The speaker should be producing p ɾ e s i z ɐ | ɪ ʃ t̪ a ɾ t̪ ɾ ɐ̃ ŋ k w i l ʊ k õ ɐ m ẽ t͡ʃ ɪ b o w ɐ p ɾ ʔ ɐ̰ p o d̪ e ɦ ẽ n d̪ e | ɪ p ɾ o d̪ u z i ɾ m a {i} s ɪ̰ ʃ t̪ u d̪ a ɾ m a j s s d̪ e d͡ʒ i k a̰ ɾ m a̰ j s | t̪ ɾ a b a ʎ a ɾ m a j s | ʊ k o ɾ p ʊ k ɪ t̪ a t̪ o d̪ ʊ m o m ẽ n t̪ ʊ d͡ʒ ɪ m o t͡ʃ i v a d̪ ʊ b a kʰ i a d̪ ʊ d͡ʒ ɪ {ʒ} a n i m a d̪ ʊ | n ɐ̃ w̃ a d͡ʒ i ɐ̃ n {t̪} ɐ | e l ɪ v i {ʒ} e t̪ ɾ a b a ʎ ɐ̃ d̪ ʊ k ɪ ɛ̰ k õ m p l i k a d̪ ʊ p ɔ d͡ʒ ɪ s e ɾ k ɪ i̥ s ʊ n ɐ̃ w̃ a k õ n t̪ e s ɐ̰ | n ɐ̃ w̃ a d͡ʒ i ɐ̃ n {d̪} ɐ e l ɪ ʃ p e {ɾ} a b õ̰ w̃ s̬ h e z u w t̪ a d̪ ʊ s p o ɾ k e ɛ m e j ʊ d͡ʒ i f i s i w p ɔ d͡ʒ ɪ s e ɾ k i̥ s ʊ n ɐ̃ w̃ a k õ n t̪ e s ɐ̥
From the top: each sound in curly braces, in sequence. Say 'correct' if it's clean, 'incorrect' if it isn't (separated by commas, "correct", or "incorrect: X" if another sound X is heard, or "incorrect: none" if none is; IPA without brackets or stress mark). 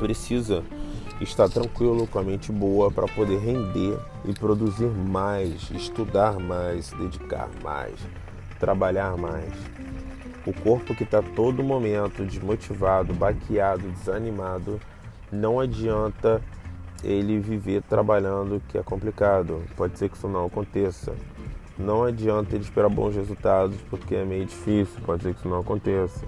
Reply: incorrect: j, incorrect: z, correct, incorrect: v, incorrect: t̪, correct